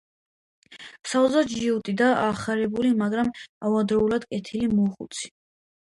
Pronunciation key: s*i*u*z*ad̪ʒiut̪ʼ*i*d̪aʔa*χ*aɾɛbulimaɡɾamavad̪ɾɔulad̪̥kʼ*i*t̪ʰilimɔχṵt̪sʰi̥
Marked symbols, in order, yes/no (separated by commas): no, yes, yes, yes, no